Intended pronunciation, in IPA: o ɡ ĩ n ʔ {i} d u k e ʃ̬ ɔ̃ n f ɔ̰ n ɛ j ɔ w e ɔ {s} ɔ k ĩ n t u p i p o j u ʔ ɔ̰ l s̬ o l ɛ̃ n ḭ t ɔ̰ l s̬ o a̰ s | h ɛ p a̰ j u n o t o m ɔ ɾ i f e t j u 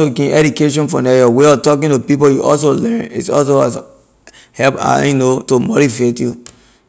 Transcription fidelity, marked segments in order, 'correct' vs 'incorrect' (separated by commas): incorrect, incorrect